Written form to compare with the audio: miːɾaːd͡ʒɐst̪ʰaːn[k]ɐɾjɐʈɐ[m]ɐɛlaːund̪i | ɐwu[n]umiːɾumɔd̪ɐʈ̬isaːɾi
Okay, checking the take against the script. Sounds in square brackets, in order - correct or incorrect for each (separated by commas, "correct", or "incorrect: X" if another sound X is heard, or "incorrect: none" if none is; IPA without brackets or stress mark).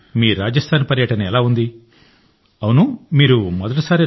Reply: incorrect: p, incorrect: n, correct